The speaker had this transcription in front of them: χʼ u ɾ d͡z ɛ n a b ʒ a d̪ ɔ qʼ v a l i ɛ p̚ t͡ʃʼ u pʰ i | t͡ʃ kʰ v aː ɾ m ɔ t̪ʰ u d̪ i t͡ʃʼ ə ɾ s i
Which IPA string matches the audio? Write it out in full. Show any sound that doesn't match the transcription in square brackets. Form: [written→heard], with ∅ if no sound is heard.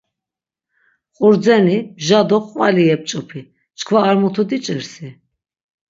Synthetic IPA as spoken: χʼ u ɾ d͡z ɛ n [a→i] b ʒ a d̪ ɔ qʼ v a l i ɛ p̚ t͡ʃʼ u pʰ i | t͡ʃ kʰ v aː ɾ m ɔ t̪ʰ u d̪ i t͡ʃʼ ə ɾ s i